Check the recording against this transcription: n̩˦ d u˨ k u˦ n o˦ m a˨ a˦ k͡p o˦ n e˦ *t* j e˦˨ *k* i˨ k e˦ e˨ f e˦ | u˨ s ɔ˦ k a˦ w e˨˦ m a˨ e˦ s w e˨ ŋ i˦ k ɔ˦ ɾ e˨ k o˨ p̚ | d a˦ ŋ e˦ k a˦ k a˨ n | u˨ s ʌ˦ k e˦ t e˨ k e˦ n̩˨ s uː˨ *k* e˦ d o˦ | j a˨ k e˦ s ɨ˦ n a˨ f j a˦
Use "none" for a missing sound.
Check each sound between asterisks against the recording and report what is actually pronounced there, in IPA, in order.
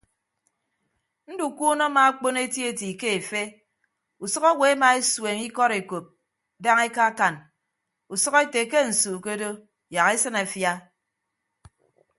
t, t, k

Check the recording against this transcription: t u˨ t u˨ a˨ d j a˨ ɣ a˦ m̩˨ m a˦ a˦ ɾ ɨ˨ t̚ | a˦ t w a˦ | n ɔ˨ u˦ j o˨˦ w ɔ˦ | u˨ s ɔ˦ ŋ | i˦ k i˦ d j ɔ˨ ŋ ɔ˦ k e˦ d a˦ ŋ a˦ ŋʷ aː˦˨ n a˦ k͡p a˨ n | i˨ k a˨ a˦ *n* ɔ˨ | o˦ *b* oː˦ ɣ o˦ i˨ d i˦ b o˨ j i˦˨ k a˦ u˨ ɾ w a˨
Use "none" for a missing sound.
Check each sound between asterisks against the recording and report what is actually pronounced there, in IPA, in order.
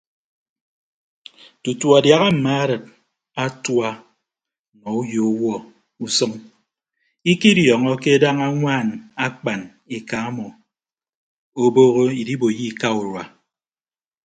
m, b

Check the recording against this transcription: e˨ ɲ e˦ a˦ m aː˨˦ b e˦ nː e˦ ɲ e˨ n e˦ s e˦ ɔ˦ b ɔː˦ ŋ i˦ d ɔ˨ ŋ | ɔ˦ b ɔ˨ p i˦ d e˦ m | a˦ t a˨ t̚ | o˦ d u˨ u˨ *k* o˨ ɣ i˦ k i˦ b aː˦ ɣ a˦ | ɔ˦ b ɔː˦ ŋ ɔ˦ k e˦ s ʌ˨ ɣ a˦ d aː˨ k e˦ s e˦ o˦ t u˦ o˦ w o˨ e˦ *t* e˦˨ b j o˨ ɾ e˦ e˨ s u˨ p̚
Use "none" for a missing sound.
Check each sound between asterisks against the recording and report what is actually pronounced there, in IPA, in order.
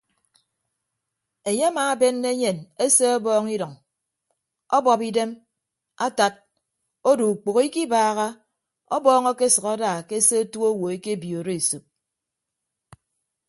k͡p, k

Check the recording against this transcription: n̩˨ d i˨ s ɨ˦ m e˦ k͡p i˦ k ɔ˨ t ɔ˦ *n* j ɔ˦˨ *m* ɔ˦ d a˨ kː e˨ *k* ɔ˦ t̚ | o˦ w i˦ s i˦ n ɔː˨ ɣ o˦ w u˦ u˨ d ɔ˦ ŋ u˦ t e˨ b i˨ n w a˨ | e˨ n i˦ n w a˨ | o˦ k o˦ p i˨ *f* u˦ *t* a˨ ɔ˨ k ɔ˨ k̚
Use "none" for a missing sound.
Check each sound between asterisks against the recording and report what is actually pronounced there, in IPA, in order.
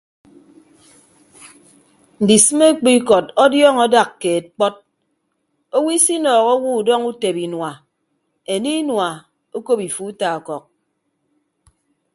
d, ŋ, k͡p, f, t

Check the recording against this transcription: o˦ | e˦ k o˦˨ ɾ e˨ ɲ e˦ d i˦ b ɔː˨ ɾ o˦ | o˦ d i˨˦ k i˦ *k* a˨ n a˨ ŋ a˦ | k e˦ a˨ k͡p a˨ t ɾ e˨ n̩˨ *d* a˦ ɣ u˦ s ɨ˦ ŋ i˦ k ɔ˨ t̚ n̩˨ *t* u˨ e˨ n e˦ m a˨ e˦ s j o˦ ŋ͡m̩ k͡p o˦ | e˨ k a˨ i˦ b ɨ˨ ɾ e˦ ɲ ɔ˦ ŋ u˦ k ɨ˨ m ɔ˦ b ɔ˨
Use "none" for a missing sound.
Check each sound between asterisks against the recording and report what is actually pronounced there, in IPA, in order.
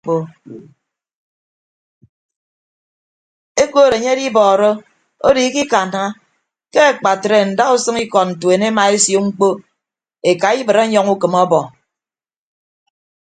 k, d, t

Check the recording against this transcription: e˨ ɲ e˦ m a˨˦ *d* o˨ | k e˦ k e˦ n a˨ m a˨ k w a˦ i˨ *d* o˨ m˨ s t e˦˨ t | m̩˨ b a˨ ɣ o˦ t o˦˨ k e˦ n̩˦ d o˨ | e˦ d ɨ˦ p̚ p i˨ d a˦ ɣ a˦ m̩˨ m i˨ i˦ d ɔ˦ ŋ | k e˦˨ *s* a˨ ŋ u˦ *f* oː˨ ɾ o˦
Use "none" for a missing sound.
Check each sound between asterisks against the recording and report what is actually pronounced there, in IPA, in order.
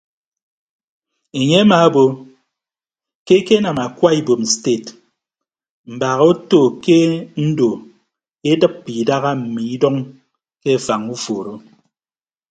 b, b, f, f

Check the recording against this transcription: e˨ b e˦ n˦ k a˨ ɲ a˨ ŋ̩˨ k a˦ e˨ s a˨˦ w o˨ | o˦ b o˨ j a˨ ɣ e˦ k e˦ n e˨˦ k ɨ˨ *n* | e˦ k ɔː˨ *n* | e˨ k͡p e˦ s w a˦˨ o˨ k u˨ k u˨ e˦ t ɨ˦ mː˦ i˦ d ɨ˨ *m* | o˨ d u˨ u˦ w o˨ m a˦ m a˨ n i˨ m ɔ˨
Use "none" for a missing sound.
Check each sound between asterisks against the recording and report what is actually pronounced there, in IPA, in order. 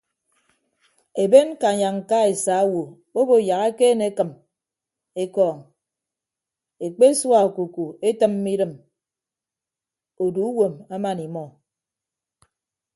m, ŋ, m

